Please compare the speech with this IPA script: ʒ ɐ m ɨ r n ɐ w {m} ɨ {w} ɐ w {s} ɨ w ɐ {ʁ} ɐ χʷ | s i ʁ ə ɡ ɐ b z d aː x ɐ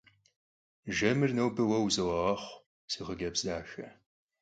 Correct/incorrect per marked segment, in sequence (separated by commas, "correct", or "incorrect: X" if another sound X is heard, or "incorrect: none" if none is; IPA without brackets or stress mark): incorrect: b, correct, incorrect: z, correct